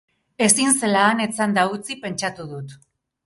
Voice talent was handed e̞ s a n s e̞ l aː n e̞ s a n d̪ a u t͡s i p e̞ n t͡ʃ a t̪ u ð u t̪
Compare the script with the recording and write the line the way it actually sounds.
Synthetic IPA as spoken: e̞ s i n s e̞ l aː n e̞ t͡s a n d̪ a u t͡s i p e̞ n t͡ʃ a t̪ u ð u t̪